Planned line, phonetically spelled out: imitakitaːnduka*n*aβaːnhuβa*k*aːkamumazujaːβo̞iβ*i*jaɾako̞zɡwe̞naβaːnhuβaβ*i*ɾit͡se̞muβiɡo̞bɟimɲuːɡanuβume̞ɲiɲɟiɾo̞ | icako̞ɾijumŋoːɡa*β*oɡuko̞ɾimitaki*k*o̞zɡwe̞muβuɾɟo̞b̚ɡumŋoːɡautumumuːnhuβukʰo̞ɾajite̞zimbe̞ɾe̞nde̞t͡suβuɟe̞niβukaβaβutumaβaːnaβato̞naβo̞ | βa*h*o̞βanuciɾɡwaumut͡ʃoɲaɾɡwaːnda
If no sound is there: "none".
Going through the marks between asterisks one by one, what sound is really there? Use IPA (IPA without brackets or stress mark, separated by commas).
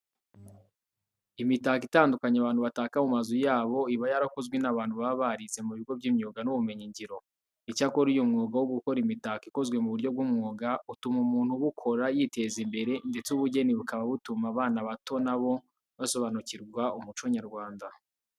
ɲ, t, a, a, w, k, s